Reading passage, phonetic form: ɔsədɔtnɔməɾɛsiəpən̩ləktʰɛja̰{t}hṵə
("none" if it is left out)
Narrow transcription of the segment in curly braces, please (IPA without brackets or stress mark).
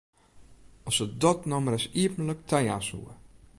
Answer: s